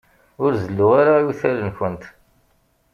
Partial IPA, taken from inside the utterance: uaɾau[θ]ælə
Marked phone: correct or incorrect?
correct